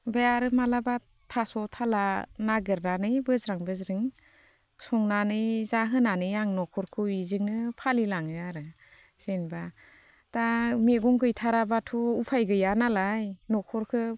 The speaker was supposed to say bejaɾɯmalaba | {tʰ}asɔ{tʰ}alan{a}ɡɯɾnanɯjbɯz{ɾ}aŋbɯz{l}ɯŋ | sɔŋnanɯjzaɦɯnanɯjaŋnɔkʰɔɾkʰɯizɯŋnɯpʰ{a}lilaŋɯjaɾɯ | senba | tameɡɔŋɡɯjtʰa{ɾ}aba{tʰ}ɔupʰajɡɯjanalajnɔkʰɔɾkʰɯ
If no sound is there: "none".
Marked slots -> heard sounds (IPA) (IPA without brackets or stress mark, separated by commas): tʰ, tʰ, a, ɾ, ɾ, a, ɾ, tʰ